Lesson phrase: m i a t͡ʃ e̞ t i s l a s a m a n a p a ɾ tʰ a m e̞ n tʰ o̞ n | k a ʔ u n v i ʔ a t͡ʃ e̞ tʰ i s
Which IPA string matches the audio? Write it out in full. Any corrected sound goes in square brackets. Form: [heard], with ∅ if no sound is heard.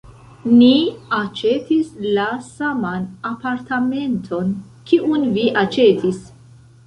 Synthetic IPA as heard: [n] i a t͡ʃ e̞ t i s l a s a m a n a p a ɾ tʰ a m e̞ n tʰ o̞ n | k [i] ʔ u n v i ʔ a t͡ʃ e̞ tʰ i s